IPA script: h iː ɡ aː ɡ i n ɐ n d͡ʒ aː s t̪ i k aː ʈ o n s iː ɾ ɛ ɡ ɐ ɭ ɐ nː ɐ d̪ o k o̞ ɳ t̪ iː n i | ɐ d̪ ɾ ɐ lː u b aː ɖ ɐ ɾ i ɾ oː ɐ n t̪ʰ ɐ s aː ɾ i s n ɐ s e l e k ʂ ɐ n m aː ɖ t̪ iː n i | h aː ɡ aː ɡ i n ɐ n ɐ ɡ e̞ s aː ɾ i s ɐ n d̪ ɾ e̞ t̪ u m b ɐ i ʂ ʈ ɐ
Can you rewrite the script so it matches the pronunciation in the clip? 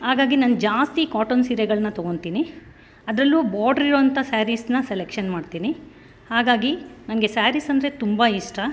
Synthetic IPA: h aː ɡ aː ɡ i n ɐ n d͡ʒ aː s t̪ i k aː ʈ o n s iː ɾ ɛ ɡ ɐ ɭ ɐ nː ɐ t̪ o ɡ o̞ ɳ t̪ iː n i | ɐ d̪ ɾ ɐ lː u b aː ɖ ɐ ɾ i ɾ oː ɐ n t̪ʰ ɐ s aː ɾ i s n ɐ s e l e k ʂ ɐ n m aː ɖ t̪ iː n i | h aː ɡ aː ɡ i n ɐ n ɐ ɡ e̞ s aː ɾ i s ɐ n d̪ ɾ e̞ t̪ u m b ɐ i ʂ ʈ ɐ